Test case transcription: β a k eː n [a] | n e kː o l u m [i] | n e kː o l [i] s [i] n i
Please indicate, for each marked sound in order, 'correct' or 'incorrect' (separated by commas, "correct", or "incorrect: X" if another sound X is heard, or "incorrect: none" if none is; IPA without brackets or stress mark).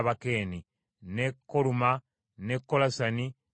incorrect: i, incorrect: a, incorrect: a, incorrect: a